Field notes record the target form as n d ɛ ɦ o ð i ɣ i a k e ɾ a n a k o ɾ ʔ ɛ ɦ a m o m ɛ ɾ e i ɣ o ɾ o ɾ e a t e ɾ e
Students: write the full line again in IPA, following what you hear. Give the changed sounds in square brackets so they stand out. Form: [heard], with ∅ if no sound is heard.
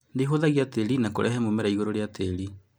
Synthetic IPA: n d [e] ɦ o ð [a] ɣ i a [t] e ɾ [i] n a k o ɾ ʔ ɛ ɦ [ɛ] m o m ɛ ɾ [a] i ɣ o ɾ o ɾ e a t e ɾ [i]